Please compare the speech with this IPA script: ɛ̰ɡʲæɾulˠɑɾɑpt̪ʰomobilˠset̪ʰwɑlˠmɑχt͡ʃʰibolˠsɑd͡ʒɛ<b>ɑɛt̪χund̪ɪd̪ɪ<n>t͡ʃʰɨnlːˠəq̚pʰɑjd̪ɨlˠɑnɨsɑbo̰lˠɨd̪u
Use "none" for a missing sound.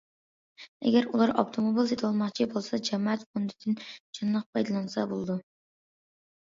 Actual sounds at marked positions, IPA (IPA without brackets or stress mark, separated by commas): m, n